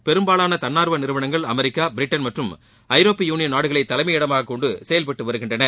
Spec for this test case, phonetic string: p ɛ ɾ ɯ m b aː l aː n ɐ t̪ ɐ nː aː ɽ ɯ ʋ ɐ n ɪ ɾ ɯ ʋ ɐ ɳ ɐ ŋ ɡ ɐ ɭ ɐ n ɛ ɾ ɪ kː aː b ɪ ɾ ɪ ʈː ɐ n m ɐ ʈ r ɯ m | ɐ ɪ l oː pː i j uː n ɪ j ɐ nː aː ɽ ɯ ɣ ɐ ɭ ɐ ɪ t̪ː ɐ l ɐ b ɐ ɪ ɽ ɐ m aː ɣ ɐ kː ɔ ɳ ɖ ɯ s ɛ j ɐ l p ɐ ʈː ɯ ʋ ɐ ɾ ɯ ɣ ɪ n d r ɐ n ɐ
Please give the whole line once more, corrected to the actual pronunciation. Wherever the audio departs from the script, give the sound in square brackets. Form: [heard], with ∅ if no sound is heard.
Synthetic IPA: p ɛ ɾ ɯ m b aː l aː n ɐ t̪ ɐ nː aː [ɾ] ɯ ʋ ɐ n ɪ ɾ ɯ ʋ ɐ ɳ ɐ ŋ ɡ ɐ ɭ ɐ [m] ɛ ɾ ɪ kː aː b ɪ ɾ ɪ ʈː ɐ n m ɐ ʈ r ɯ m | ɐ ɪ [ɾ] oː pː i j uː n ɪ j ɐ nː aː ɽ ɯ ɣ ɐ ɭ ɐ ɪ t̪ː ɐ l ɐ [m] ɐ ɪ ɽ ɐ m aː ɣ ɐ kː ɔ ɳ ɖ ɯ s ɛ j ɐ l p ɐ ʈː ɯ ʋ ɐ ɾ ɯ ɣ ɪ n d r ɐ n ɐ